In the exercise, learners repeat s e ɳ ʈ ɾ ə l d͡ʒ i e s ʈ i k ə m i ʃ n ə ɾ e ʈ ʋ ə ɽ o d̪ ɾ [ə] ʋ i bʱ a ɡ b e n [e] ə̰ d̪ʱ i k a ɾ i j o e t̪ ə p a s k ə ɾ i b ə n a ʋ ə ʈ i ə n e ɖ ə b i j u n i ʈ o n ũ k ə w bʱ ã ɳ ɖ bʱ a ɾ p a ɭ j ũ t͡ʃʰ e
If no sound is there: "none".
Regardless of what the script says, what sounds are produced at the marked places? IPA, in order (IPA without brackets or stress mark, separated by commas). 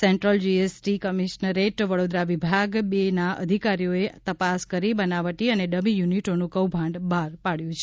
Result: a, a